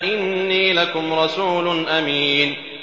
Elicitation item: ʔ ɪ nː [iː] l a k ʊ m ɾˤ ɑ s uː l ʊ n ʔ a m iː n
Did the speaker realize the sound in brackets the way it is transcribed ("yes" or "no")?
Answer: yes